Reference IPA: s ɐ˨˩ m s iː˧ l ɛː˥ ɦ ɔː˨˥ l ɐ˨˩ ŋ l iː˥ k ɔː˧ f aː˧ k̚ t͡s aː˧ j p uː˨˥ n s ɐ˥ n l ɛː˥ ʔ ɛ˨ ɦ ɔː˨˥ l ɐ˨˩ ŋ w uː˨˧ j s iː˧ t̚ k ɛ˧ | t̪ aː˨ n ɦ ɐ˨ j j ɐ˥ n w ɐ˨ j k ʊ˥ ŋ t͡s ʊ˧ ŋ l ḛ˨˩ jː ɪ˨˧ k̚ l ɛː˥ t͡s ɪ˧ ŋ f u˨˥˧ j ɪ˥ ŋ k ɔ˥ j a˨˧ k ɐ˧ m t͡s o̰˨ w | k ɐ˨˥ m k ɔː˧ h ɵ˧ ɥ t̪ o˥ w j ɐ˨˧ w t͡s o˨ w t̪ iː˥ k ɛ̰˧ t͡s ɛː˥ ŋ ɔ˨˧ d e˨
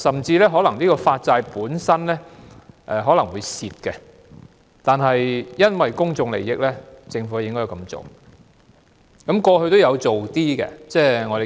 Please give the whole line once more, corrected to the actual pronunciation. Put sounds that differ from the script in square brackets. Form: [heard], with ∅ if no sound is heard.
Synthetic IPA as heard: s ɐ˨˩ m [t͡s] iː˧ l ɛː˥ ɦ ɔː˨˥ l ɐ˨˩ ŋ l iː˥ k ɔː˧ f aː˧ [t̚] t͡s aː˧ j p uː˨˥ n s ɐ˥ n l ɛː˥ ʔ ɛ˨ ɦ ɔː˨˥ l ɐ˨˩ ŋ w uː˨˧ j s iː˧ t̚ k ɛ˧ | t̪ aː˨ n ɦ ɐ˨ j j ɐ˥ n w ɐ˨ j k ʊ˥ ŋ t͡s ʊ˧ ŋ l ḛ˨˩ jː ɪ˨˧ k̚ l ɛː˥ t͡s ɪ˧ ŋ f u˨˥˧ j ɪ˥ ŋ k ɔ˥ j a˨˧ k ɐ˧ m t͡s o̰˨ w | k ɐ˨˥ m k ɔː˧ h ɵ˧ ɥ t̪ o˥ w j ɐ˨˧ w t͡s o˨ w t̪ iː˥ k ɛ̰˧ t͡s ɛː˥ ŋ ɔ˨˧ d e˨